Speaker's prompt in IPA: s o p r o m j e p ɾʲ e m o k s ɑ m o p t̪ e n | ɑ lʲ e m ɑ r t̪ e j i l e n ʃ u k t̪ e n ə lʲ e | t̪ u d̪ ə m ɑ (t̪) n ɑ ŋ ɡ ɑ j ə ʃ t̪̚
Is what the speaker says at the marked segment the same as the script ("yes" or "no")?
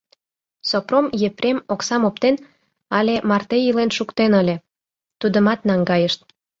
yes